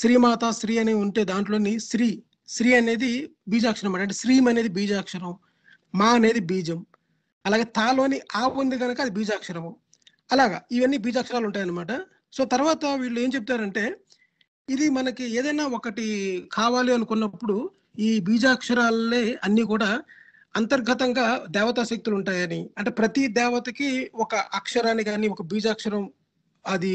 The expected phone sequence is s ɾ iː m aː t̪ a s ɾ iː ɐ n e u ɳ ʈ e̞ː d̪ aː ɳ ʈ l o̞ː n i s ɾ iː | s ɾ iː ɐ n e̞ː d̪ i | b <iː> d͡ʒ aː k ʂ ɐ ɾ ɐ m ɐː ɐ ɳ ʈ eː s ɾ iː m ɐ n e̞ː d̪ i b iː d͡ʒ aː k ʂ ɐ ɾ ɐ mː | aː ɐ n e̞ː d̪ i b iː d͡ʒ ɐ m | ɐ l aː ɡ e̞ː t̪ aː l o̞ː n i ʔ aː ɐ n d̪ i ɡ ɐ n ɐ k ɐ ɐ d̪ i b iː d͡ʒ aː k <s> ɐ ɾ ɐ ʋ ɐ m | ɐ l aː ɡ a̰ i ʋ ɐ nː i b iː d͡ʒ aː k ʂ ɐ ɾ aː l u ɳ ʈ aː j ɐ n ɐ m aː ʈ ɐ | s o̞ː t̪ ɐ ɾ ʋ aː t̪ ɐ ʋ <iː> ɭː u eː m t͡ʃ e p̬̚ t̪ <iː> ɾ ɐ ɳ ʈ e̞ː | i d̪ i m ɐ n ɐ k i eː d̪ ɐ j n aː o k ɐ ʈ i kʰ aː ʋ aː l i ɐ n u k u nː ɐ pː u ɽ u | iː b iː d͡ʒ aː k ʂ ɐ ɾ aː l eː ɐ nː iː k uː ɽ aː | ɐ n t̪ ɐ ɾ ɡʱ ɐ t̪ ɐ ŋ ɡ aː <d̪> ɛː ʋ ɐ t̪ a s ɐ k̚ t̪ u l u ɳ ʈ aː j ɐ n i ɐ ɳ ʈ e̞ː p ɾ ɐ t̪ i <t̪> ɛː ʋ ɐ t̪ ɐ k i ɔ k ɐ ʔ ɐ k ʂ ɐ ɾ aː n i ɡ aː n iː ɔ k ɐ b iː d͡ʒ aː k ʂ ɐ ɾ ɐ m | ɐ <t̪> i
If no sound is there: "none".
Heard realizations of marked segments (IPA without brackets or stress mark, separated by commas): iː, ʂ, iː, aː, d̪, d̪, d̪